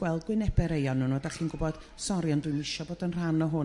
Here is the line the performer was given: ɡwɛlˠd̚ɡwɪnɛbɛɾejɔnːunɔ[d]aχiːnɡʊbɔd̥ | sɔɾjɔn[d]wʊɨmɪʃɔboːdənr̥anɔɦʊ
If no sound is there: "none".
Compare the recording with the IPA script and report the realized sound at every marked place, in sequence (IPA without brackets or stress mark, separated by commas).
d, d